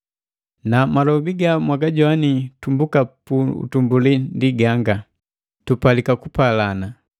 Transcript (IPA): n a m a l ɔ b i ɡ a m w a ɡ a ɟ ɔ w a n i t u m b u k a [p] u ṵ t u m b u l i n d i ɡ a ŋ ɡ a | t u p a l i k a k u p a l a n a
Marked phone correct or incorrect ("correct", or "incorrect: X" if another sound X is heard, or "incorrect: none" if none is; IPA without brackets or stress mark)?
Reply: correct